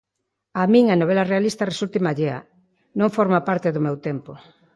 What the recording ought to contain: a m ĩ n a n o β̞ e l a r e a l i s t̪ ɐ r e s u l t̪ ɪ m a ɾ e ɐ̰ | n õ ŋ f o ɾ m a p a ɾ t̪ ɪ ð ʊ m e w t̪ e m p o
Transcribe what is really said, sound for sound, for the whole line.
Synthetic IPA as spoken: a m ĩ ŋ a n o β̞ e l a r e a l i s t̪ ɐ r e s u l t̪ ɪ m a ʎ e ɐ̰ | n õ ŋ f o ɾ m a p a ɾ t̪ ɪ ð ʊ m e w t̪ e m p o